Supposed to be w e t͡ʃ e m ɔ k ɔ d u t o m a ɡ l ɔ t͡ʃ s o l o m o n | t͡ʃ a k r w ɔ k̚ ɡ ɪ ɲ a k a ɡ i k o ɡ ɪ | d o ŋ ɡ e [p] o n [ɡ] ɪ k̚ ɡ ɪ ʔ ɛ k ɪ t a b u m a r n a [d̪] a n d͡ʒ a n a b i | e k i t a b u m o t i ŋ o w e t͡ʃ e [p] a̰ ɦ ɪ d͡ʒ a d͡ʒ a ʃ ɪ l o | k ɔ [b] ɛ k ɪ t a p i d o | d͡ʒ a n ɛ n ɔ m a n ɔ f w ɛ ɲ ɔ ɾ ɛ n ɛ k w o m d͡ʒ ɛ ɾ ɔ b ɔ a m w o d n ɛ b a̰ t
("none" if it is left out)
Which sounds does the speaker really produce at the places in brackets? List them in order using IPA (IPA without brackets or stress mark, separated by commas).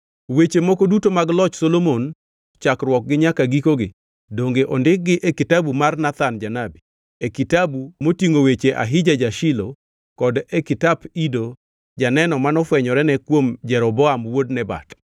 ʔ, d, t̪, ʔ, d